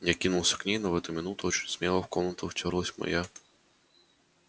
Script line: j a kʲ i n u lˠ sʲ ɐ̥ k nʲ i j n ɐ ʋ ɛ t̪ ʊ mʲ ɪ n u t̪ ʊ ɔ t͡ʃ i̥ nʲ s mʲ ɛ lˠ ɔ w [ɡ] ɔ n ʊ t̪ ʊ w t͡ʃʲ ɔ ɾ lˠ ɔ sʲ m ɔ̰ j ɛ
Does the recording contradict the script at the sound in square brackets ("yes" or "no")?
yes